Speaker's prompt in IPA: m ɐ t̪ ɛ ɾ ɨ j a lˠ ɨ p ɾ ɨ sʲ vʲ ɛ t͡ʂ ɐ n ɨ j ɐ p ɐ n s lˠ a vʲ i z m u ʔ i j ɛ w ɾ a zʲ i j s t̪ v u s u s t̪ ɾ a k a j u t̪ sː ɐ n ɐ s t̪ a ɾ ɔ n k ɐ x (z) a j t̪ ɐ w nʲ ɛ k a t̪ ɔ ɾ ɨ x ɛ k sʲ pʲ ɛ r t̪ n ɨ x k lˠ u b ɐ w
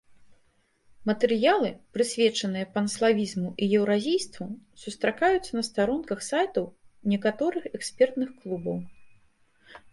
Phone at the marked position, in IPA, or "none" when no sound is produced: s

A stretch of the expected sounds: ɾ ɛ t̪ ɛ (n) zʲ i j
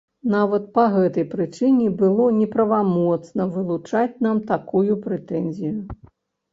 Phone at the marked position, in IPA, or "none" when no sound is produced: n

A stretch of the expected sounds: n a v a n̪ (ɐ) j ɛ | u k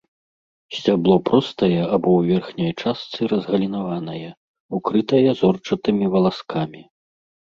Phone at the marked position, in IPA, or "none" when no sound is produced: ɐ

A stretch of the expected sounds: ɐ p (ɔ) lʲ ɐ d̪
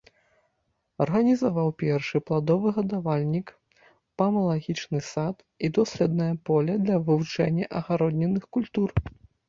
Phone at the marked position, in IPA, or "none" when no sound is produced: ɔ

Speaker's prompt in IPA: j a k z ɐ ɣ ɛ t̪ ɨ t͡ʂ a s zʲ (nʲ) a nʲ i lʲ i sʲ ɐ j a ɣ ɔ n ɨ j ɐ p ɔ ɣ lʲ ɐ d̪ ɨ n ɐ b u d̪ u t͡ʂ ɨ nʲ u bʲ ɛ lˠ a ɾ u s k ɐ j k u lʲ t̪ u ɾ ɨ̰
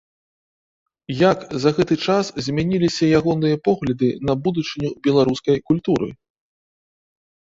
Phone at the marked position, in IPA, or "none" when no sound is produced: mʲ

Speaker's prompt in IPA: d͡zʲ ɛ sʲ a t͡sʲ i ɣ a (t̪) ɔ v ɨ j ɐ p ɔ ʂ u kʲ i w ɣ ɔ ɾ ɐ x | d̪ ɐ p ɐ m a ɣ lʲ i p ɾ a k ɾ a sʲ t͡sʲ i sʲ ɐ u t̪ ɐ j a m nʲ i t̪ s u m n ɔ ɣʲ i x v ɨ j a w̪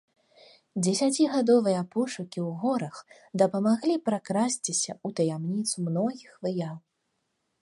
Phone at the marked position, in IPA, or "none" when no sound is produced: d̪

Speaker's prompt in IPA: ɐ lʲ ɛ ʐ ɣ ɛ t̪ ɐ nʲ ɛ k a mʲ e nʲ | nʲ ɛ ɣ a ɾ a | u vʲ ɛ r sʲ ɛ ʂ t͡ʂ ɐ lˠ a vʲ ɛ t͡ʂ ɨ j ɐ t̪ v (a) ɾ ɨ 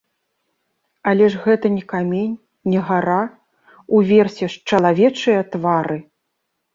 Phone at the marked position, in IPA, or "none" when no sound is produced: a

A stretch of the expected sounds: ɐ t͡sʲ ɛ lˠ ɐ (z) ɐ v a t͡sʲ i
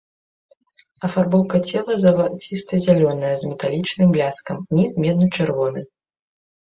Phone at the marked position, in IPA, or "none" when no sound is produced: z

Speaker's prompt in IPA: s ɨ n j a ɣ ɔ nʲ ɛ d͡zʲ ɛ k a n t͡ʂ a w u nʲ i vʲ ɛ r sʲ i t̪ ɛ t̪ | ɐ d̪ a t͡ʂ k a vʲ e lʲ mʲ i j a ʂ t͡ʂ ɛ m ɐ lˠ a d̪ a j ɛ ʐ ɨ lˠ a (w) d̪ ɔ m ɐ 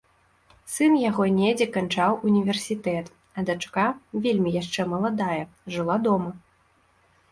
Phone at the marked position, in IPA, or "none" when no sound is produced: none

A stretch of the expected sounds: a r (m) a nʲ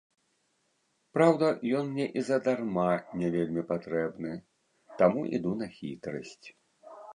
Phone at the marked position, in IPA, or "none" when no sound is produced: m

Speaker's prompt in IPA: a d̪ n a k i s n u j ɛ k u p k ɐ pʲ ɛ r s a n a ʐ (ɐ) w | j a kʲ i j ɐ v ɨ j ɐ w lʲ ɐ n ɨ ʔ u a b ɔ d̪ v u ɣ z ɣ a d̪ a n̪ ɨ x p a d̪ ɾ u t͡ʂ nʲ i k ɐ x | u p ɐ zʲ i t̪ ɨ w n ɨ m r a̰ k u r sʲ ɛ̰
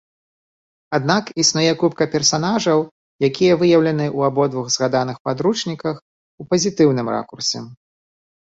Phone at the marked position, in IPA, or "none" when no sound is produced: ɐ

